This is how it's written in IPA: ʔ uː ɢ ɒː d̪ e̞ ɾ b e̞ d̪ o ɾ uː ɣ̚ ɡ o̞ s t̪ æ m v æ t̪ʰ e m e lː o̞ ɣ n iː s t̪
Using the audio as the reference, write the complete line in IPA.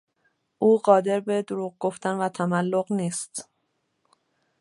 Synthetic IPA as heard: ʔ uː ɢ ɒː d̪ e̞ ɾ b e̞ d̪ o ɾ uː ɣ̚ ɡ o̞ f t̪ æ n v æ t̪ʰ æ m æ lː o̞ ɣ n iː s t̪